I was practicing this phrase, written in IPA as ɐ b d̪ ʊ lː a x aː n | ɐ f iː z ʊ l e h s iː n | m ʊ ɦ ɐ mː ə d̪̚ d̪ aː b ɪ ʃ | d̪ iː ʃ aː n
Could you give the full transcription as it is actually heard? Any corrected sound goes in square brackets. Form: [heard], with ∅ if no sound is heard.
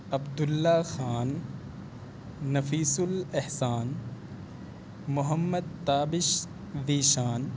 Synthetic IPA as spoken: ɐ b d̪ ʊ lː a x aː n | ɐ f iː [s] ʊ l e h s [aː] n | m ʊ ɦ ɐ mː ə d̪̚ [t̪] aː b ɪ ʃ | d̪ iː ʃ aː n